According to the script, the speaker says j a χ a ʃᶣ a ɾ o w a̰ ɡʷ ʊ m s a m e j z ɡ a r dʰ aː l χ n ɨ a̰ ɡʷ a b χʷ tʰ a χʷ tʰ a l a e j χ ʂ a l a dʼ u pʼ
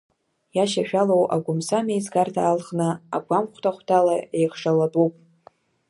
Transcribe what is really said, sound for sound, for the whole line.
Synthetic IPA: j a ʃ a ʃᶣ a l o w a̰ ɡʷ ʊ m s a m e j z ɡ a r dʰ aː l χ n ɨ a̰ ɡʷ a m χʷ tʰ a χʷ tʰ a l a e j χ ʂ a l a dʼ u pʼ